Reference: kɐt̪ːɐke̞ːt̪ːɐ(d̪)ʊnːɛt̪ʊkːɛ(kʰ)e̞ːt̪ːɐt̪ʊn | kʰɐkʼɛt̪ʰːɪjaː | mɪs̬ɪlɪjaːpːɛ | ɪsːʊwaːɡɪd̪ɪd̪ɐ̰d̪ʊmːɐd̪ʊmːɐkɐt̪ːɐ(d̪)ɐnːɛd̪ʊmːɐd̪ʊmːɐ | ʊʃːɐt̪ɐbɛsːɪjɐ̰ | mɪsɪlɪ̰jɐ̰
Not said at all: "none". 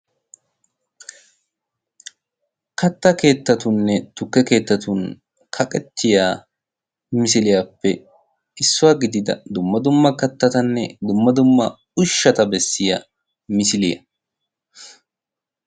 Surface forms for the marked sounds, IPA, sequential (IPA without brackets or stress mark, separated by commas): t̪, k, t̪